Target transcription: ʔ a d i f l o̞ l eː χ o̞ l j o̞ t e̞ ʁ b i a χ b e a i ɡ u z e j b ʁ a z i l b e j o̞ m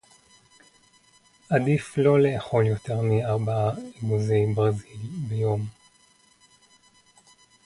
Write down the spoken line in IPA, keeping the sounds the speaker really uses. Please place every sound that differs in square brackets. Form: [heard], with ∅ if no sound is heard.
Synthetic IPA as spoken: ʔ a d i f l o̞ l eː χ o̞ l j o̞ t e̞ ʁ [m] i a [ʁ] b [a] a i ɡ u z e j b ʁ a z i l b e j o̞ m

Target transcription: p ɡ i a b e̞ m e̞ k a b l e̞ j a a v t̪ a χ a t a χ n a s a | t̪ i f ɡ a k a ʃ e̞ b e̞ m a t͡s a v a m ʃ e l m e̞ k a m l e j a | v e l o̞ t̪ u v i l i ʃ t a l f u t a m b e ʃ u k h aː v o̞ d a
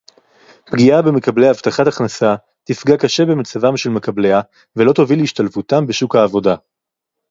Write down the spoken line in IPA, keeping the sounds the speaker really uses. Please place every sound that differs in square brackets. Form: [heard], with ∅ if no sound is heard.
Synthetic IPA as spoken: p ɡ i a b e̞ m e̞ k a b l e̞ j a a v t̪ a χ a t a χ n a s a | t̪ i f ɡ a k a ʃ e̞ b e̞ m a t͡s a v a m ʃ e l m e̞ k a [b] l e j a | v e l o̞ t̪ [o] v i l i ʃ t a l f u t a m b e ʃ u k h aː v o̞ d a

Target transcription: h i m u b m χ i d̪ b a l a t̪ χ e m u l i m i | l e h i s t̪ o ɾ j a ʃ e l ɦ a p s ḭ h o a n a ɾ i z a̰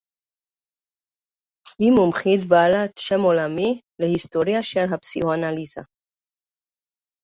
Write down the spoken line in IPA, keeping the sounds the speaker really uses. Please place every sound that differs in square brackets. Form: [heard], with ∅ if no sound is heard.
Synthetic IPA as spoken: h i m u [∅] m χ i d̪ b a l a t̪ [ʃ] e m [o] l [a] m i | l e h i s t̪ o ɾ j a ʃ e l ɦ a p s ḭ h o a n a [l] i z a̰

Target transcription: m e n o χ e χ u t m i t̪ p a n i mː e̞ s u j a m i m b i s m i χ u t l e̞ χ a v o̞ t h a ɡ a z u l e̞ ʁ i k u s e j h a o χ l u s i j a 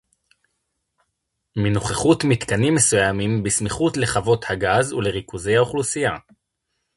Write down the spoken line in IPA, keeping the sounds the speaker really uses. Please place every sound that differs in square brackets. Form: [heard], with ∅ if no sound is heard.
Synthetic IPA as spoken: m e n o χ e χ u t m i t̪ [k] a n i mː e̞ s u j a m i m b i s m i χ u t l e̞ χ a v o̞ t h a ɡ a z u l e̞ ʁ i k u [z] e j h a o χ l u s i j a

